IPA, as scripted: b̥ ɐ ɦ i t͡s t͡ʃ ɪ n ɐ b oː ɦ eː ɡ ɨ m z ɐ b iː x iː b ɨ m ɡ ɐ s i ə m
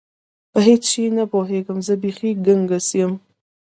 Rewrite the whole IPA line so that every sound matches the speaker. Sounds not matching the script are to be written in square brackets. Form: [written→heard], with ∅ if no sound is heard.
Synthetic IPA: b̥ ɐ ɦ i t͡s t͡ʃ [ɪ→i] n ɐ b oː ɦ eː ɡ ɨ m z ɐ b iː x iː [b→ɡ] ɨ [m→ŋ] ɡ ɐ s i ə m